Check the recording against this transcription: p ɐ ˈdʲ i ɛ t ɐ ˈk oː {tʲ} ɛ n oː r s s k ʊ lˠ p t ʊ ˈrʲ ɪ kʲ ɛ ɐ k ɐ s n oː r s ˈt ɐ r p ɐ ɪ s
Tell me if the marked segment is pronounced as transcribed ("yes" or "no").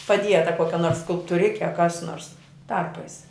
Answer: no